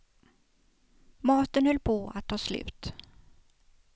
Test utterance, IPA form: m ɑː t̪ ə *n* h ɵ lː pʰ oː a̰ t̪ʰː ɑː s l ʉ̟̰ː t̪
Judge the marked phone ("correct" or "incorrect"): correct